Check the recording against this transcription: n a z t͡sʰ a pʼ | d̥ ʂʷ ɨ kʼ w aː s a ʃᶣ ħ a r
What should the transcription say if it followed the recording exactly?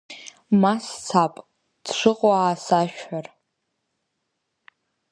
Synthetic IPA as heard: m a s t͡sʰ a pʼ | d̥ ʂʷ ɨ qʼ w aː s a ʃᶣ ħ a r